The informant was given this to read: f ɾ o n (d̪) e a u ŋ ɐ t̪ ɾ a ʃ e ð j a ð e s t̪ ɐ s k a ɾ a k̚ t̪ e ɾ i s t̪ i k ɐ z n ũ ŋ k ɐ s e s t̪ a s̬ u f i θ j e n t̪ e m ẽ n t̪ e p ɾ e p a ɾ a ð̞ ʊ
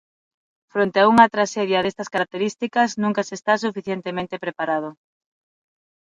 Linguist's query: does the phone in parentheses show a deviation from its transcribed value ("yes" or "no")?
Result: yes